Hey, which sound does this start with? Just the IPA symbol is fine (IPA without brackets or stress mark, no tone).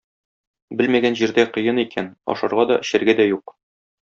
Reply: b